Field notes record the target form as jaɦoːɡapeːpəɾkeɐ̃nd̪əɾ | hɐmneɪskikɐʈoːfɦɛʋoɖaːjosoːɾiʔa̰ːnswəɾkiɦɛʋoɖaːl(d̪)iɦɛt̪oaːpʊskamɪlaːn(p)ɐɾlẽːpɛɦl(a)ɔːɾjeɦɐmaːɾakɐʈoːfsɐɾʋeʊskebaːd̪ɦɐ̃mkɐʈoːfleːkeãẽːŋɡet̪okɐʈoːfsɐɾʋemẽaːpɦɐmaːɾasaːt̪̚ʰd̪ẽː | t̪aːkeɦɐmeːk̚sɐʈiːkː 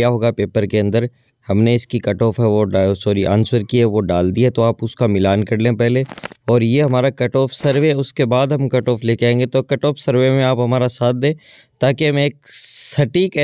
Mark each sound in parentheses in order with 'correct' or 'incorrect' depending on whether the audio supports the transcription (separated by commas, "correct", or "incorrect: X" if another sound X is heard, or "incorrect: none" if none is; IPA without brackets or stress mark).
correct, incorrect: k, incorrect: e